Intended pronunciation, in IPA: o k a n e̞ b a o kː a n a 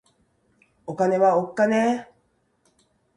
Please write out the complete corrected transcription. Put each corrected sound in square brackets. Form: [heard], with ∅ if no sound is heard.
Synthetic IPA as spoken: o k a n e̞ [β] a o kː a n [e]